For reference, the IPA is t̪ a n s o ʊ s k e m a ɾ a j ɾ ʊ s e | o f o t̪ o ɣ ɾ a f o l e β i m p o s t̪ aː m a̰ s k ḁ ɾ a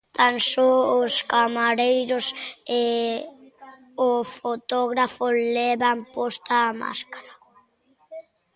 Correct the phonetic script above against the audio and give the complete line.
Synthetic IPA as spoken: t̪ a n s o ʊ s k a m a ɾ e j ɾ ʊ s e | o f o t̪ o ɣ ɾ a f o l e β a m p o s t̪ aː m a̰ s k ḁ ɾ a